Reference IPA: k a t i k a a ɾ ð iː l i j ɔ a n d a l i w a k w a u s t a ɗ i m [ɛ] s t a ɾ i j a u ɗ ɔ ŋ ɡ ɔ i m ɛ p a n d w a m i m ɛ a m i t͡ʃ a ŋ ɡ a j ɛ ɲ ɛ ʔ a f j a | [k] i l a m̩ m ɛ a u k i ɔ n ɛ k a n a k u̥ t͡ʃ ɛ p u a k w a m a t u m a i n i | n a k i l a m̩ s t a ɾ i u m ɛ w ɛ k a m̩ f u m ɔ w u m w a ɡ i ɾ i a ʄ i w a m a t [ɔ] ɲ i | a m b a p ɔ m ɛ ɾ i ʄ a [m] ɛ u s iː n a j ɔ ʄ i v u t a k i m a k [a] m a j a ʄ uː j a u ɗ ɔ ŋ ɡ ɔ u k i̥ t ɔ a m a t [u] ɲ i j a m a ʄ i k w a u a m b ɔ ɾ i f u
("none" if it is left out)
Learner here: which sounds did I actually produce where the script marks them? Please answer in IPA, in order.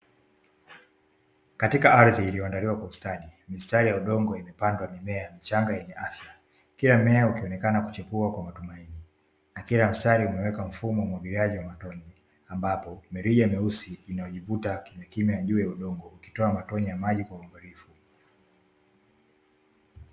i, k, ɔ, m, i, ɔ

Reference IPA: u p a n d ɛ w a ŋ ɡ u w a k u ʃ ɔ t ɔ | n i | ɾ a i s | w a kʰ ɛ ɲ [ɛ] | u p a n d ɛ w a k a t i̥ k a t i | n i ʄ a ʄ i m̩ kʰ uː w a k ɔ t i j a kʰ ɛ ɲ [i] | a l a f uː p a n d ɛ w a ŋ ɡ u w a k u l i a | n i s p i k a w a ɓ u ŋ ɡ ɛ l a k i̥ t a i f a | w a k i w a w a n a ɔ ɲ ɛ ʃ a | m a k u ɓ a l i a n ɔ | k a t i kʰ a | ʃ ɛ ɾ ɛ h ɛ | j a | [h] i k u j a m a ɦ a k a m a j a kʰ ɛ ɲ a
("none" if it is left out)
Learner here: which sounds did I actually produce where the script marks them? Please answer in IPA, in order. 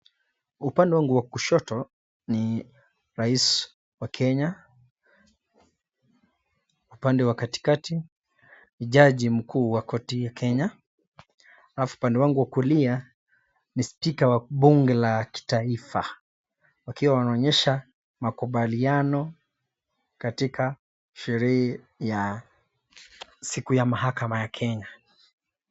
a, a, s

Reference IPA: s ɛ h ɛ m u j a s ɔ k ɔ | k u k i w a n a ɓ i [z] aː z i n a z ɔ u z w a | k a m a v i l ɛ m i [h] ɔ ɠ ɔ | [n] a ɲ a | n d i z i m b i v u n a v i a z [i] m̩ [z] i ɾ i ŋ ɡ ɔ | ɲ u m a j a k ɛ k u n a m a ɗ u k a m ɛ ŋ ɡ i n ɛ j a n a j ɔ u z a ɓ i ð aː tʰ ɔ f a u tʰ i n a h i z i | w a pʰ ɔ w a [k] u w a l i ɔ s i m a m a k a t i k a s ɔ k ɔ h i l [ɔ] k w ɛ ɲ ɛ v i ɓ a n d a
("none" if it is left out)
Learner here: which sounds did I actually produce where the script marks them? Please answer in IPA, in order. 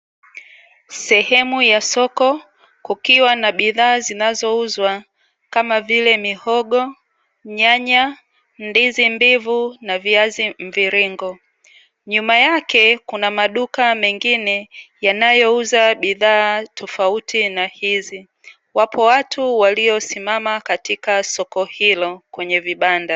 ð, h, ɲ, i, v, t, ɔ

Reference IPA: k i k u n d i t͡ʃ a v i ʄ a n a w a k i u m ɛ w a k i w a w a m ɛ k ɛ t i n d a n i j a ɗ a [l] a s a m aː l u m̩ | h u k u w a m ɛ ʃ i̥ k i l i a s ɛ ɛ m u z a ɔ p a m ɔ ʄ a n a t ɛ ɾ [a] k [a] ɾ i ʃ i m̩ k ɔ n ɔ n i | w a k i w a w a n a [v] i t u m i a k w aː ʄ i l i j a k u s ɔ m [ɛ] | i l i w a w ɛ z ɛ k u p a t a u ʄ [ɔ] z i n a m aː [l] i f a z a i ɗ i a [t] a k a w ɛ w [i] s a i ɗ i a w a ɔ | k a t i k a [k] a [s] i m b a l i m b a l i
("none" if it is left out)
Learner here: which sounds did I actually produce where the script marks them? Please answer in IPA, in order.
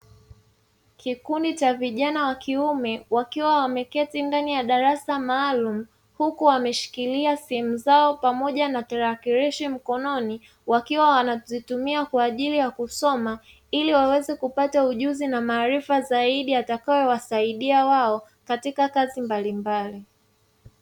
ɾ, a, i, z, a, u, ɾ, t, a, k, z

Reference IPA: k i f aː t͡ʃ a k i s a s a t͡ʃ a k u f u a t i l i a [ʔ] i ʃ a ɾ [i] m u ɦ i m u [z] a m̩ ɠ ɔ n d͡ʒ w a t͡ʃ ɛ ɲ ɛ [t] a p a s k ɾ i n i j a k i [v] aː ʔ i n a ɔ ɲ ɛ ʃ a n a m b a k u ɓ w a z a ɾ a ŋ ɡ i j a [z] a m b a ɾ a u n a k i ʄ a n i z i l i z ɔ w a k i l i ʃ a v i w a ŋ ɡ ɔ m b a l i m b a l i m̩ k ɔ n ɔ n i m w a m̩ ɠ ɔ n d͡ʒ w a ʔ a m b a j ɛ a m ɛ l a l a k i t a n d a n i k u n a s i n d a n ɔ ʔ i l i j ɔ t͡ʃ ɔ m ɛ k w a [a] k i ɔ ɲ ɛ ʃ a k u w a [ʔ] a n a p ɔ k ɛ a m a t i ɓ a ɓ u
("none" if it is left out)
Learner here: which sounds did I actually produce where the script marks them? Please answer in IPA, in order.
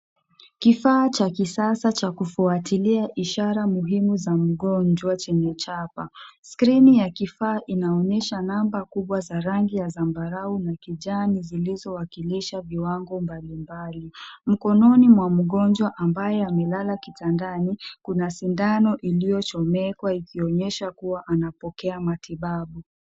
ʔ, a, z, t͡ʃ, f, z, i, ʔ

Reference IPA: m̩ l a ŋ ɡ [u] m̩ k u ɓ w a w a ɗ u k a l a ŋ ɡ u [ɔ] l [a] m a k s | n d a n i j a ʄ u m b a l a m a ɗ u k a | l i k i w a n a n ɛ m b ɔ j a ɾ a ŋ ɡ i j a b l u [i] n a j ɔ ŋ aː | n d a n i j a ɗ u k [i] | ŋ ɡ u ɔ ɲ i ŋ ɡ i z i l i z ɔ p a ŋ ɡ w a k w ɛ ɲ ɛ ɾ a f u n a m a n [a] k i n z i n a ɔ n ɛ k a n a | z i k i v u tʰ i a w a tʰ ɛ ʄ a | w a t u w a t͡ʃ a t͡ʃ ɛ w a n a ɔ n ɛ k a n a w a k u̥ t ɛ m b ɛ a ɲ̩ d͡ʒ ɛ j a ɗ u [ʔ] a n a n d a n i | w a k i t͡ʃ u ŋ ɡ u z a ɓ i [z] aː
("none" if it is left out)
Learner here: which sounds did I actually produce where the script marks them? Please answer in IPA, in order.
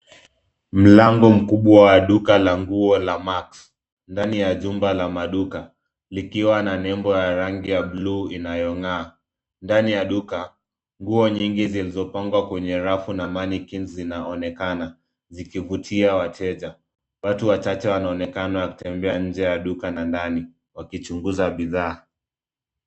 ɔ, ɔ, a, i, a, i, k, ð

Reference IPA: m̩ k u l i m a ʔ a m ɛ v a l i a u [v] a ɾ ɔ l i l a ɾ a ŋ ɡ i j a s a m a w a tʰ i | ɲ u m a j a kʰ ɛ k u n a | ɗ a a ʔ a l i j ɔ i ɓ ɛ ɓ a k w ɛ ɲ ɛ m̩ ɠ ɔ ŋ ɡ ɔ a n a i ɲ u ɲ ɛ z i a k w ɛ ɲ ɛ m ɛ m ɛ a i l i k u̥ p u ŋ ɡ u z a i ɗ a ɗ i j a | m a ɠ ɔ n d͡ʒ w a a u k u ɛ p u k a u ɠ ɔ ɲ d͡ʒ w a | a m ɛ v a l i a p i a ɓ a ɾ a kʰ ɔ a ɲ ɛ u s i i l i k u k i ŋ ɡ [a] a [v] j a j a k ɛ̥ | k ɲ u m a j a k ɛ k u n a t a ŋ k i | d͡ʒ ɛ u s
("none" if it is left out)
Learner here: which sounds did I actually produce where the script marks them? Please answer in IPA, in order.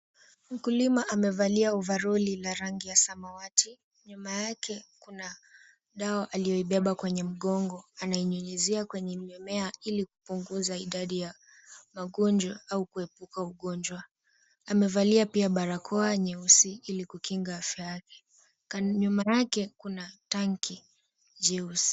v, a, f

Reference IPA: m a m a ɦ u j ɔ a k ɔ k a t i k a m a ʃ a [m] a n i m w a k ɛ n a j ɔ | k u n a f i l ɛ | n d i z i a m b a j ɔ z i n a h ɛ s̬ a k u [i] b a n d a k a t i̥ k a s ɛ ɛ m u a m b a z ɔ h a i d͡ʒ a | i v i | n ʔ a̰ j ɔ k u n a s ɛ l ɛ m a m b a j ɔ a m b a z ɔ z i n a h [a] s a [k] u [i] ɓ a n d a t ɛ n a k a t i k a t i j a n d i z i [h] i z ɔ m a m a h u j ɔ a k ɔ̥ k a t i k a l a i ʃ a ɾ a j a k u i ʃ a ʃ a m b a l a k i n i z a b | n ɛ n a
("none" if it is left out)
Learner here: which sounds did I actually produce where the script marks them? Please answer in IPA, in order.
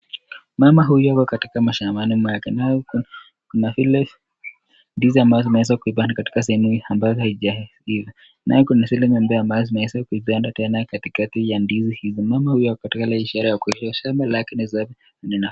m, i, ɛ, k, i, h

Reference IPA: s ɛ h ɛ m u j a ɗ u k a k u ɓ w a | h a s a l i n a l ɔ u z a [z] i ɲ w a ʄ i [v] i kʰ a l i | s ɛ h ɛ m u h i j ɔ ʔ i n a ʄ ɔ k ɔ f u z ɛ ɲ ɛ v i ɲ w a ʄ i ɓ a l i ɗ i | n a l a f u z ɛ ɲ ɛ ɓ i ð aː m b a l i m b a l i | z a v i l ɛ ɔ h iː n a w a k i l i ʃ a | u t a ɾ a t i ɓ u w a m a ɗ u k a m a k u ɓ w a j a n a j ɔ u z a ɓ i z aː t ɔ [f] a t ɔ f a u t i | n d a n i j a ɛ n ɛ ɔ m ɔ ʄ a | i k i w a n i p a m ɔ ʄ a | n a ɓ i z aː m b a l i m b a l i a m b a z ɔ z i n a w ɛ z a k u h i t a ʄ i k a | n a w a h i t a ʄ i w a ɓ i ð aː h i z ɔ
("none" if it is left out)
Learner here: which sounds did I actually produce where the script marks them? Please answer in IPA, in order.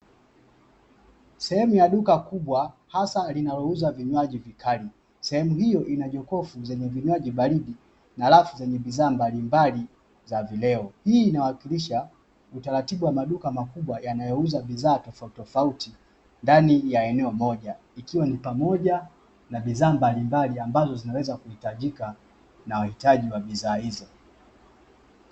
v, v, f

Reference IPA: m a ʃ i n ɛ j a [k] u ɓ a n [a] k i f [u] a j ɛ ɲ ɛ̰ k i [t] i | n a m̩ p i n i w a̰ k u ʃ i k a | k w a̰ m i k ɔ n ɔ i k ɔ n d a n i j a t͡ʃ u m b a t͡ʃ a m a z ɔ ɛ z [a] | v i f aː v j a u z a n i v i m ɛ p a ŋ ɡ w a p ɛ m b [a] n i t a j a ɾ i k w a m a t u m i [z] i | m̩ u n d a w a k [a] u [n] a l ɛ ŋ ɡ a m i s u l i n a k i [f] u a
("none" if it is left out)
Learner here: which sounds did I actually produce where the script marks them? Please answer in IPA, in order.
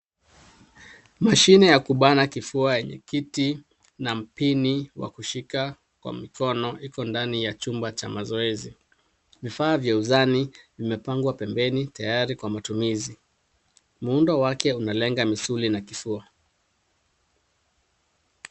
k, a, u, t, i, ɛ, z, ɛ, n, f

